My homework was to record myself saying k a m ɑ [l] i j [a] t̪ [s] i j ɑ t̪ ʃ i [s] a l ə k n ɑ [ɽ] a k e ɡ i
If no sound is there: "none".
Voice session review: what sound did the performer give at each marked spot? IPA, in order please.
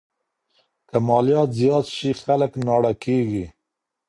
l, ɑ, z, x, ɽ

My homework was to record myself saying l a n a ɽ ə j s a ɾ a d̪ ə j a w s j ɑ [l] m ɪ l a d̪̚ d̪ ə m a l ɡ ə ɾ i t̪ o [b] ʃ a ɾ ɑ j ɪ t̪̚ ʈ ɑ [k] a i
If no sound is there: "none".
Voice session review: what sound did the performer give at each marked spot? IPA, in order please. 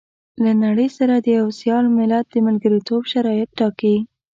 l, b, k

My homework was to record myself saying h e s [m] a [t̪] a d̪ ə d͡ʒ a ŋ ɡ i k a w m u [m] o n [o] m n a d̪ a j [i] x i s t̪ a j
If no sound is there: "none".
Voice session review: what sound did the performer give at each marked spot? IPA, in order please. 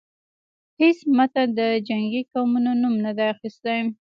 m, t̪, n, u, a

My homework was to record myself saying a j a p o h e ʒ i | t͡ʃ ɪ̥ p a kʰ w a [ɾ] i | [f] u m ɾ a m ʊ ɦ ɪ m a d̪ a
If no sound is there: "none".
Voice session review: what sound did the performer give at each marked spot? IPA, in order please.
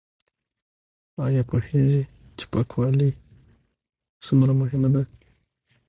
l, s

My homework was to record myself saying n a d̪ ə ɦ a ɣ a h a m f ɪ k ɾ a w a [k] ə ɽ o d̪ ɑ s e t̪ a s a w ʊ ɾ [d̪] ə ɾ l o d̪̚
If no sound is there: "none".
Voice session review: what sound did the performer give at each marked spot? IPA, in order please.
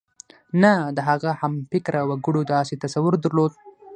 ɡ, d̪

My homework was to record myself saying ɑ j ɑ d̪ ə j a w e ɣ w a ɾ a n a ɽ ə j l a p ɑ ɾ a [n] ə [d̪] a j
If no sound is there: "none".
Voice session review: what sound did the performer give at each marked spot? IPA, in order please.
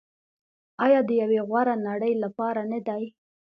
n, d̪

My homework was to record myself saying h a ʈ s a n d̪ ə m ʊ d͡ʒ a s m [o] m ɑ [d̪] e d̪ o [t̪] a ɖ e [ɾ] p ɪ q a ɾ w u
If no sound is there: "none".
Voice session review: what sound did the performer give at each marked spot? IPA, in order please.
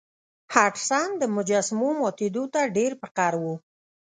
o, t̪, t̪, ɾ

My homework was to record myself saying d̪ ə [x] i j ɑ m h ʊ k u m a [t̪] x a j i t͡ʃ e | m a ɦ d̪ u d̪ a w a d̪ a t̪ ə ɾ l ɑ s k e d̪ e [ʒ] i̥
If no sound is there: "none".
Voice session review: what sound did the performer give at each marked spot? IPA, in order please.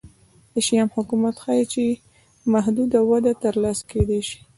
ʃ, t̪, ʃ

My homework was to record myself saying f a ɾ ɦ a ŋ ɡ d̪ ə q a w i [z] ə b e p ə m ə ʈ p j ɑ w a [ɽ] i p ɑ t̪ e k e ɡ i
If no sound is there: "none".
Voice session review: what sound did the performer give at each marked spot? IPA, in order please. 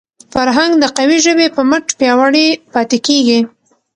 ʒ, ɽ

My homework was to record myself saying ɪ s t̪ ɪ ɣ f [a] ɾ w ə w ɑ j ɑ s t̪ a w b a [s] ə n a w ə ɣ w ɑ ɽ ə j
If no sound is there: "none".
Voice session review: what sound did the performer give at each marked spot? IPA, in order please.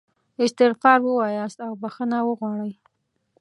ɑ, x

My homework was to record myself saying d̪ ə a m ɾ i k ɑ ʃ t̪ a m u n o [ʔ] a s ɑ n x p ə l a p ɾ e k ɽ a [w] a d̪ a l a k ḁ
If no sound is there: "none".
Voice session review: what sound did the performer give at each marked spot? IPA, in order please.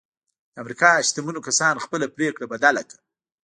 k, b

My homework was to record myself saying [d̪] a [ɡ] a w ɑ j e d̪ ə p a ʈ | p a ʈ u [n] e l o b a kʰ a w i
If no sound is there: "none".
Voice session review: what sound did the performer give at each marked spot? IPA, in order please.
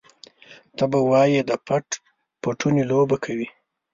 t̪, b, n

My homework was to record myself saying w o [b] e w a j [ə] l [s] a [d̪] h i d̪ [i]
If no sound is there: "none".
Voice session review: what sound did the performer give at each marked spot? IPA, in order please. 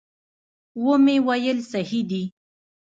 m, ə, s, none, i

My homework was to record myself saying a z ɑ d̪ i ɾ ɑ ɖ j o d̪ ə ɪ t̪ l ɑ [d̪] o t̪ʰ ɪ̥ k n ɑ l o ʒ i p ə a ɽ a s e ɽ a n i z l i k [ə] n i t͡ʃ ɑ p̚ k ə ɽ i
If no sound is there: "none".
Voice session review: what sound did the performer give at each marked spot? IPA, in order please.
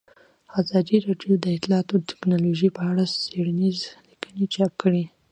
t̪, ə

